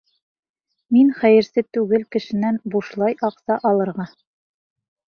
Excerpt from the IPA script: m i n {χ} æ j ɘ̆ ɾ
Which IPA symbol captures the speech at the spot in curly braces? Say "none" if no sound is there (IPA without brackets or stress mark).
χ